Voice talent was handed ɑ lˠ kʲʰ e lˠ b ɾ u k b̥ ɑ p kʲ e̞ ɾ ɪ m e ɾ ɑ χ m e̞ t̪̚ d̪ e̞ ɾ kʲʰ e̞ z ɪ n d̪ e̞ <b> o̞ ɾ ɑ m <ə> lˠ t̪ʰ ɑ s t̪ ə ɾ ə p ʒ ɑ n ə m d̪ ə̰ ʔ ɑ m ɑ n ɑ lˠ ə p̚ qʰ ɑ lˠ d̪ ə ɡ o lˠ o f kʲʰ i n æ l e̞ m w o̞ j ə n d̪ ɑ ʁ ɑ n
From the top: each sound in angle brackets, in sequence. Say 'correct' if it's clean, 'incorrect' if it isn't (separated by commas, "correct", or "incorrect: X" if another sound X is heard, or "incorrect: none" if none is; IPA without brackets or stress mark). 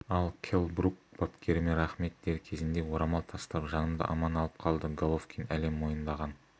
incorrect: w, incorrect: ɑ